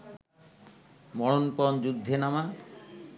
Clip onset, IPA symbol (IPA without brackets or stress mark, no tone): m